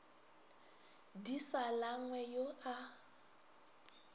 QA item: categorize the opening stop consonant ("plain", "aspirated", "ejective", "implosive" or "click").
plain